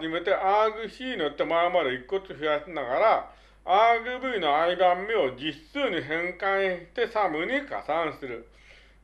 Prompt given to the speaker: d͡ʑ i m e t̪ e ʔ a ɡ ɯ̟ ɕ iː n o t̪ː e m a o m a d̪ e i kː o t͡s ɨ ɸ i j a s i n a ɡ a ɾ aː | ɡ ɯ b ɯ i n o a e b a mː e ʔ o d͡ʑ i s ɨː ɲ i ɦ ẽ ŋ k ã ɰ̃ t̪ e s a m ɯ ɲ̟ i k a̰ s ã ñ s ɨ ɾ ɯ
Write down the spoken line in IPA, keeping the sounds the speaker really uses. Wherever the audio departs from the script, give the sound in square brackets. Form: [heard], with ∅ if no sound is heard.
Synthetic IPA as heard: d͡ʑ i m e t̪ e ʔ a ɡ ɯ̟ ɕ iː n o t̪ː e m a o m a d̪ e i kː o t͡s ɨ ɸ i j a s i n a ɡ a ɾ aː | ɡ ɯ b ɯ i n o a [i] b a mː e [∅] o d͡ʑ i s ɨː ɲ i ɦ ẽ ŋ k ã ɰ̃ t̪ e s a m ɯ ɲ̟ i k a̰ s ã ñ s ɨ ɾ ɯ